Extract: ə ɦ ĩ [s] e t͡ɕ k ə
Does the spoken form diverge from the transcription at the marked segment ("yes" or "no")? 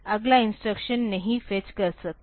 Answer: yes